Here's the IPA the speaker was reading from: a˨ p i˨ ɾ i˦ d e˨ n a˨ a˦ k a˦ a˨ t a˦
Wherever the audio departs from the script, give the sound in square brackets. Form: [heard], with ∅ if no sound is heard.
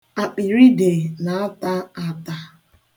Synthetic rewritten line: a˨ [k͡p] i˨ ɾ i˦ d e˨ n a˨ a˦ [t] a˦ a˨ t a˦